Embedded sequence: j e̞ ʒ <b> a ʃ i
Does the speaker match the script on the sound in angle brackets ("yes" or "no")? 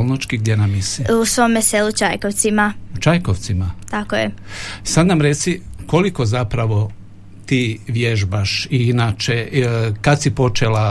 yes